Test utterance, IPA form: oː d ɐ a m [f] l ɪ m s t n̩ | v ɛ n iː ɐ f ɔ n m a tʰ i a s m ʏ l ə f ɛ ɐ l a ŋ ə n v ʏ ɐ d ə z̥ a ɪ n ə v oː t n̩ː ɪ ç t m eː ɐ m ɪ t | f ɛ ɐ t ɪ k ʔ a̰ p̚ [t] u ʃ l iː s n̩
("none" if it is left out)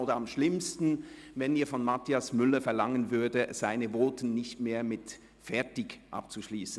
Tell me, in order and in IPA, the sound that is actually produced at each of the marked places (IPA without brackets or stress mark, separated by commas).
ʃ, t͡s